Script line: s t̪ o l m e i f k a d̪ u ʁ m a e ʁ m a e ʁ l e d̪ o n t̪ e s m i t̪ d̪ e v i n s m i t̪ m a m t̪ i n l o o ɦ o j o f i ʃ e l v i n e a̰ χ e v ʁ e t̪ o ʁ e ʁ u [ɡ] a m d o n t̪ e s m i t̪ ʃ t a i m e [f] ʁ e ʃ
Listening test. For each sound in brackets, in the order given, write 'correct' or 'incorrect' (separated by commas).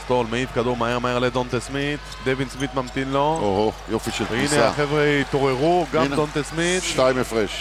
correct, correct